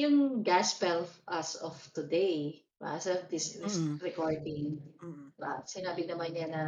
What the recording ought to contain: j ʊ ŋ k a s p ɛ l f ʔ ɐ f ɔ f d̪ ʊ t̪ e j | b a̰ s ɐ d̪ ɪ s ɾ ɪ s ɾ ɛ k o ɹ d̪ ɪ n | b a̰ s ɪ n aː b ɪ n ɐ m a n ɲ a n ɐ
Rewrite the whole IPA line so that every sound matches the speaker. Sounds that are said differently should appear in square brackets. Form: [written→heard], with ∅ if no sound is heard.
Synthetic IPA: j ʊ ŋ [k→ɡ] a s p ɛ l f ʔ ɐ [f→s] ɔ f [d̪→t̪] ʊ [t̪→d̪] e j | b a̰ s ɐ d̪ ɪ s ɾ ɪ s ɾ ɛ k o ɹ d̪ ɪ [n→ŋ] | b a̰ s ɪ n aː b ɪ n ɐ m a n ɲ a n ɐ